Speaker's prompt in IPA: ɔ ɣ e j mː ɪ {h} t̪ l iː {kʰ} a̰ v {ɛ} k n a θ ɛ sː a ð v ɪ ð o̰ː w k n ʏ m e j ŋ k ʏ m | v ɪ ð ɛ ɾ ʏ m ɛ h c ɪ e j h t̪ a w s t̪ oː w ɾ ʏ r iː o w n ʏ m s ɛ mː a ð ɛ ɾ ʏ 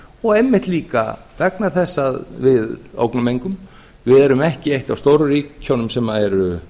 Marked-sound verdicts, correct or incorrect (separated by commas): correct, incorrect, correct